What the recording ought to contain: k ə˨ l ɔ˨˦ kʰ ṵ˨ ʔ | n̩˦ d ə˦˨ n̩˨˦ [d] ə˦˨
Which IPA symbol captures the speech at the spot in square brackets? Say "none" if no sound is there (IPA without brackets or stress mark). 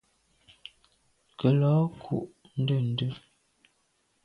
d